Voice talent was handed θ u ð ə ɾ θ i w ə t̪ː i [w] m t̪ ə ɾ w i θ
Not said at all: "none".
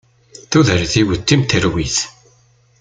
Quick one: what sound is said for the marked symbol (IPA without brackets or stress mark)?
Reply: none